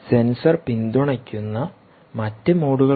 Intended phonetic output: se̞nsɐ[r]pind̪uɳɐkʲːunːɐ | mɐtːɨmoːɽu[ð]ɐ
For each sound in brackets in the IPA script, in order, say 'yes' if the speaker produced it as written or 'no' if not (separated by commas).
yes, no